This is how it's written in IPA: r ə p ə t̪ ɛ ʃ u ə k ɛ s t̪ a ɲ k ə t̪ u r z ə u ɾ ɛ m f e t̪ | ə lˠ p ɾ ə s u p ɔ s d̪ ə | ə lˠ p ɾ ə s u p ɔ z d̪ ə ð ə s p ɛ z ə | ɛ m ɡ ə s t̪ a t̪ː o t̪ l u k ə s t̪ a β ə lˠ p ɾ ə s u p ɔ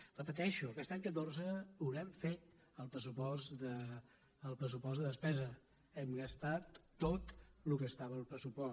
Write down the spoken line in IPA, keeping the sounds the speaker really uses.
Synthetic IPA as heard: r ə p ə t̪ ɛ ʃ u ə k ɛ s t̪ a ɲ k ə t̪ o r z ə u ɾ ɛ m f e t̪ | ə lˠ p ɾ ə s u p ɔ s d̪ ə | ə lˠ p ɾ ə s u p ɔ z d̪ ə ð ə s p ɛ z ə | ɛ m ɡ ə s t̪ a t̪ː o t̪ l u k ə s t̪ a β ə lˠ p ɾ ə s u p ɔ